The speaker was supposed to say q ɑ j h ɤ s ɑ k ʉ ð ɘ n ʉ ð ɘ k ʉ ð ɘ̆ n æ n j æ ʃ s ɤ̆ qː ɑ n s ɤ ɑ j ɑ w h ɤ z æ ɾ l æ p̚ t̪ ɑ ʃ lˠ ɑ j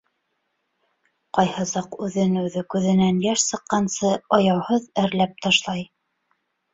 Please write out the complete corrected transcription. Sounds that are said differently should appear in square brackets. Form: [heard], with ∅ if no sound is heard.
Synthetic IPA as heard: q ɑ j h ɤ s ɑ [q] ʉ ð ɘ n ʉ ð ɘ k ʉ ð ɘ̆ n æ n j æ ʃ s ɤ̆ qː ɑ n s ɤ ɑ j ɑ w h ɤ [ð] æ ɾ l æ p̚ t̪ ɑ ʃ lˠ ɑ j